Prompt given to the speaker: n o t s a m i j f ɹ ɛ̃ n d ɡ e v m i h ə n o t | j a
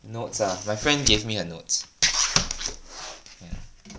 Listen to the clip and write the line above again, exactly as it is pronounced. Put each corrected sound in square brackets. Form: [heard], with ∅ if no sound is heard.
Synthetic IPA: n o t s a m [a] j f ɹ ɛ̃ n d ɡ e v m i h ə n o t | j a